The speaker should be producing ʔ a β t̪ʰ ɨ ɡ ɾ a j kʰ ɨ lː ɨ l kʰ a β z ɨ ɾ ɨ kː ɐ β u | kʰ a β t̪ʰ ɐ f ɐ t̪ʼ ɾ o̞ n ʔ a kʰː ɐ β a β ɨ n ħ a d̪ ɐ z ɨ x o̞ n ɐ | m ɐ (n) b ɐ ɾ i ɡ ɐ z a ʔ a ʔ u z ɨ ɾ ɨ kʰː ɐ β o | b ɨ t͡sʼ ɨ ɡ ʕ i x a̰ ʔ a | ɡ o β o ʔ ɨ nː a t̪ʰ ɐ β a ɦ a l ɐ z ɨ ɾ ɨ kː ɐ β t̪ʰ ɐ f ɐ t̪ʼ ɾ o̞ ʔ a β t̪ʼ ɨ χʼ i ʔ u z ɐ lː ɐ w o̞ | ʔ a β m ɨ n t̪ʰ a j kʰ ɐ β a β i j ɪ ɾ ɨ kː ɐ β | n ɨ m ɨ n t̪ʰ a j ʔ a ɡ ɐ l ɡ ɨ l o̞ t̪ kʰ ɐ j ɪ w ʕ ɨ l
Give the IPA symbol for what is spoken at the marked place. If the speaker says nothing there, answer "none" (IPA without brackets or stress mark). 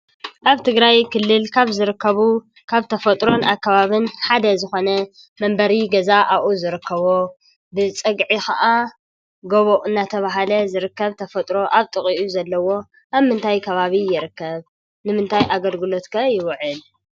m